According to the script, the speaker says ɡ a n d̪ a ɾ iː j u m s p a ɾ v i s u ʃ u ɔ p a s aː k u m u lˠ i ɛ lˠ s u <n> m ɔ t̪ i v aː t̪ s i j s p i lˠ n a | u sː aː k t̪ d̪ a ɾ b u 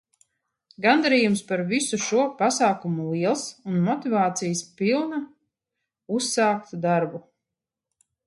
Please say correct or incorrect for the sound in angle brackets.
correct